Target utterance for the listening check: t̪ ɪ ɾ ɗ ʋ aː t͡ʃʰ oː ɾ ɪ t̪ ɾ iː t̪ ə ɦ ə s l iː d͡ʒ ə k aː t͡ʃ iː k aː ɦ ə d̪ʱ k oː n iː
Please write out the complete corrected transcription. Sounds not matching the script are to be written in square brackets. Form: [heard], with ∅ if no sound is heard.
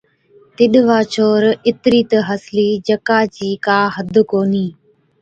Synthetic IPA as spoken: t̪ ɪ [∅] ɗ ʋ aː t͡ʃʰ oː ɾ ɪ t̪ ɾ iː t̪ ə ɦ ə s l iː d͡ʒ ə k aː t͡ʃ iː k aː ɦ ə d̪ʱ k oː n iː

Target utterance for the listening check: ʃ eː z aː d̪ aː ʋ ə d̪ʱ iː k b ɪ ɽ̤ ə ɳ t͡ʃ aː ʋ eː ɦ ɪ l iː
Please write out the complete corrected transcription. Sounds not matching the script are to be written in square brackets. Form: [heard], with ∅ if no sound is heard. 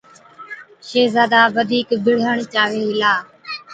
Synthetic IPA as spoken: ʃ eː z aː d̪ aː ʋ ə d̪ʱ iː k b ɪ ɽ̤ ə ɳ t͡ʃ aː ʋ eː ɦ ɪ l [aː]

